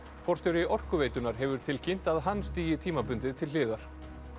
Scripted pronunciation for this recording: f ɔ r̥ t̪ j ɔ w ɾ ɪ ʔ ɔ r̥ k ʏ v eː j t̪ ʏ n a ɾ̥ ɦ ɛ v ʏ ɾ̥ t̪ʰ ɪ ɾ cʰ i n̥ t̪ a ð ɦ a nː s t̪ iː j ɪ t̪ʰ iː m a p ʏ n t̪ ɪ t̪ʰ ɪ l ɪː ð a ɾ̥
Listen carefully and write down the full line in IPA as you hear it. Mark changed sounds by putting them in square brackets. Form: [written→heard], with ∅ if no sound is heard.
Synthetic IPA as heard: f ɔ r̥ t̪ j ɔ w ɾ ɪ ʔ ɔ r̥ k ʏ v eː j t̪ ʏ n a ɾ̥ ɦ ɛ v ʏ ɾ̥ t̪ʰ ɪ [ɾ→l] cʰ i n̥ t̪ a ð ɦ a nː s t̪ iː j ɪ t̪ʰ iː m a p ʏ n t̪ ɪ t̪ʰ ɪ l ɪː ð a ɾ̥